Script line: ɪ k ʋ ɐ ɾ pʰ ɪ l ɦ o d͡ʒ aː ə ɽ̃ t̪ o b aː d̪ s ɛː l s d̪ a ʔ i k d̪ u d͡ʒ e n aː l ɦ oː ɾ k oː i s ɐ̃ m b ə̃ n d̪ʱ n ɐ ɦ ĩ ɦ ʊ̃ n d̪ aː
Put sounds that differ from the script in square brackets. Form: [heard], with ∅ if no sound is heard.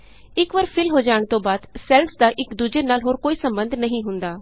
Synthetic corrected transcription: ɪ k ʋ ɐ ɾ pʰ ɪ l ɦ o d͡ʒ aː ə ɽ̃ t̪ o b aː d̪ s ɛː l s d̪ a ʔ [ɪ] k d̪ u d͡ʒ e n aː l ɦ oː ɾ k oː i s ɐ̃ m b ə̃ n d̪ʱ n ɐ ɦ ĩ ɦ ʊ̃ n d̪ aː